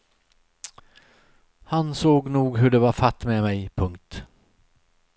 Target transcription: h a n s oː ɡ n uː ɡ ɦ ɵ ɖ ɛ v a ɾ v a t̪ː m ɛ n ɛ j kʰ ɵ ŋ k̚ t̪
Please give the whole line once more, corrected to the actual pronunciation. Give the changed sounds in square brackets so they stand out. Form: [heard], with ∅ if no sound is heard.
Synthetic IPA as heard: h a n s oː ɡ n uː ɡ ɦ ɵ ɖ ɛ v a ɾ [f] a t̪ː m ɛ [m] ɛ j [pʰ] ɵ ŋ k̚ t̪